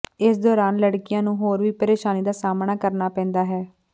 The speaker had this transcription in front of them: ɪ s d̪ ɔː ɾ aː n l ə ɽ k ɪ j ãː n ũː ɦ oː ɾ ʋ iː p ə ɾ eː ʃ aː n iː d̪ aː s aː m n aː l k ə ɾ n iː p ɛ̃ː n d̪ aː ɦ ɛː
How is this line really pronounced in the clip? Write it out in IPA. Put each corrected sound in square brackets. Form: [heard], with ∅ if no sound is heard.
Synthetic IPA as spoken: ɪ s d̪ ɔː ɾ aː n l ə ɽ k ɪ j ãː n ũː ɦ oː ɾ ʋ iː p ə ɾ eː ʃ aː n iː d̪ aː s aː m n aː [∅] k ə ɾ n [aː] p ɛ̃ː n d̪ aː ɦ ɛː